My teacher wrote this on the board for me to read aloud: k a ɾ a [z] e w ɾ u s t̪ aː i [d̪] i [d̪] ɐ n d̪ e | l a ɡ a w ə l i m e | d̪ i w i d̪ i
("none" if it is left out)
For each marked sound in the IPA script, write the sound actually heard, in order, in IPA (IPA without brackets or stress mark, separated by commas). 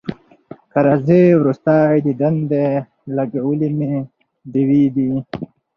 z, d̪, d̪